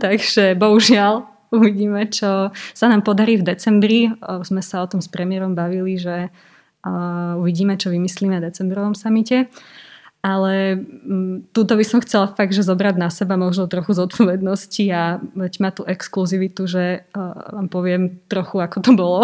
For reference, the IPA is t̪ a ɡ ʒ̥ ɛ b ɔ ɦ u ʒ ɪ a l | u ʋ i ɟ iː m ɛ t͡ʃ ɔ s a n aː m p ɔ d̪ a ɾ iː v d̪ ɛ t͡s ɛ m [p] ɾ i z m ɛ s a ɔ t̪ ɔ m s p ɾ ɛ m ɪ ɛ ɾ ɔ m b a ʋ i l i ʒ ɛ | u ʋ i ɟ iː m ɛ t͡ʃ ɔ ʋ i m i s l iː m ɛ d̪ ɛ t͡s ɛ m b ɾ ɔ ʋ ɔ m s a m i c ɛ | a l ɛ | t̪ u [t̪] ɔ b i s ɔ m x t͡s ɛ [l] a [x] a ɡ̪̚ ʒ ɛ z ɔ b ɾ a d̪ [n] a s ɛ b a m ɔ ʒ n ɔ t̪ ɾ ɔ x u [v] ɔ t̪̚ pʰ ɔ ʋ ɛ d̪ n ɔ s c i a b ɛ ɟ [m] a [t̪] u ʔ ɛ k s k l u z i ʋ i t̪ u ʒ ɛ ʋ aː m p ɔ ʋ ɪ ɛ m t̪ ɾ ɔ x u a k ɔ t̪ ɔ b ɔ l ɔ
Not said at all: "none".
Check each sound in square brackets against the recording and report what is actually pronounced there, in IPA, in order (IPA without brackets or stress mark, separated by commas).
b, t̪, l, f, n, z, m, t̪